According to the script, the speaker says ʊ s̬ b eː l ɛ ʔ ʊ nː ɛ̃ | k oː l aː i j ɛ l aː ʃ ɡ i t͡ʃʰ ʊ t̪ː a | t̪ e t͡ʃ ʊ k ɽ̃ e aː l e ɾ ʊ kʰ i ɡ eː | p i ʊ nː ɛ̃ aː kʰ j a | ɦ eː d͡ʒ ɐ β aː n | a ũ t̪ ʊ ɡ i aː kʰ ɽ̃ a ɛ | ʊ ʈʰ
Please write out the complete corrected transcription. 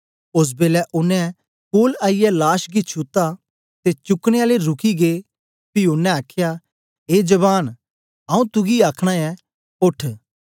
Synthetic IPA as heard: ʊ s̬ b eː l ɛ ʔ ʊ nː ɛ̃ | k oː l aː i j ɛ l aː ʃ ɡ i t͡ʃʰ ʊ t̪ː a | t̪ e t͡ʃ ʊ k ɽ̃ e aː l e ɾ ʊ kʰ i ɡ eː | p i ʊ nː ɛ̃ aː kʰ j a | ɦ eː d͡ʒ ɐ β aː n | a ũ t̪ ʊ ɡ i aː kʰ ɽ̃ a ɛ | ʊ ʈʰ

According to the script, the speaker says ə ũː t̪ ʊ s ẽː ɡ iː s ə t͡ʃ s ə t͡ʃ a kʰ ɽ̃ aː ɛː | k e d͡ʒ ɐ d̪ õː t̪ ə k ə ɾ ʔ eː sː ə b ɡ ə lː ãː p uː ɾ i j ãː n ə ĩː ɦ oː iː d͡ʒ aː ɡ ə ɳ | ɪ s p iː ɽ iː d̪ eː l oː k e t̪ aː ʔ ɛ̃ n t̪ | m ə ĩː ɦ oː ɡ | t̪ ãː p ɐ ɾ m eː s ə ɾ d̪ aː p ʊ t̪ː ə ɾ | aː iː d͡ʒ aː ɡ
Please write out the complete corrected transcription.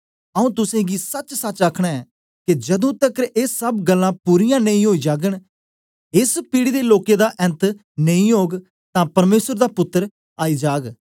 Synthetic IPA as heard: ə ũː t̪ ʊ s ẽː ɡ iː s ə t͡ʃ s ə t͡ʃ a kʰ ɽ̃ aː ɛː | k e d͡ʒ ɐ d̪ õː t̪ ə k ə ɾ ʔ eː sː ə b ɡ ə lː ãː p uː ɾ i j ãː n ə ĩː ɦ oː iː d͡ʒ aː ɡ ə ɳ | ɪ s p iː ɽ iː d̪ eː l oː k e d̪ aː ʔ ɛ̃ n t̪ | n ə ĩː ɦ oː ɡ | t̪ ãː p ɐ ɾ m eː s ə ɾ d̪ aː p ʊ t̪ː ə ɾ | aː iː d͡ʒ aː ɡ

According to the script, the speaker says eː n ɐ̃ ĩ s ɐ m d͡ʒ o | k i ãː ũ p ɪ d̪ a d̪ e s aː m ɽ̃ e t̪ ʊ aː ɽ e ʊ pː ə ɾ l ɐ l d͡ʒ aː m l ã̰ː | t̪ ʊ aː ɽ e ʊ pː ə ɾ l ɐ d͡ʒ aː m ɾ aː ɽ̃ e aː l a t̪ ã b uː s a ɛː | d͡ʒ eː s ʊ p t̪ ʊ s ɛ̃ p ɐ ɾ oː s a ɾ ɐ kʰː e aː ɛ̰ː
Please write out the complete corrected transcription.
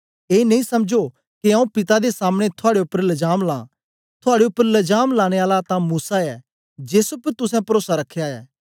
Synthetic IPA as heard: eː n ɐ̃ ĩ s ɐ m d͡ʒ o | k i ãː ũ p ɪ t̪ a d̪ e s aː m ɽ̃ e t̪ʰ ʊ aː ɽ e ʊ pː ə ɾ l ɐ d͡ʒ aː m l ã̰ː | t̪ʰ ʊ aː ɽ e ʊ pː ə ɾ l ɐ d͡ʒ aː m l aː ɽ̃ e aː l a t̪ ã m uː s a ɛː | d͡ʒ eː s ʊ p t̪ ʊ s ɛ̃ p ɐ ɾ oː s a ɾ ɐ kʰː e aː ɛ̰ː

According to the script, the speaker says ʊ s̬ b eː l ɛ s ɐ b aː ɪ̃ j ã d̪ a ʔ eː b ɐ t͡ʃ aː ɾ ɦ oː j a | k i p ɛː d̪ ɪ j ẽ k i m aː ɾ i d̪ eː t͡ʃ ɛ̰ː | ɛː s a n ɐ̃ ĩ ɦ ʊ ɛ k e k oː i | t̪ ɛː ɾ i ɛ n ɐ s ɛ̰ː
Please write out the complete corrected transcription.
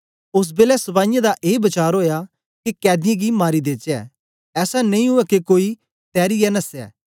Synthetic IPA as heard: ʊ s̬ b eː l ɛ s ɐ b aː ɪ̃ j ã d̪ a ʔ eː b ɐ t͡ʃ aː ɾ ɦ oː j a | k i k ɛː d̪ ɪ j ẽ ɡ i m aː ɾ i d̪ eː t͡ʃ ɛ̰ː | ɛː s a n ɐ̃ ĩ ɦ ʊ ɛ k e k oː i | t̪ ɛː ɾ i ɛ n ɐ s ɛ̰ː

